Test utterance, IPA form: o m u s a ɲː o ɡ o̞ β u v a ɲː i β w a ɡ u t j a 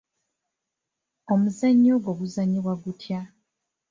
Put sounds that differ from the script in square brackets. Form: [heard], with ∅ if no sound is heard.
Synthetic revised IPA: o m u [z] a ɲː o ɡ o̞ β u [z] a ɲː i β w a ɡ u t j a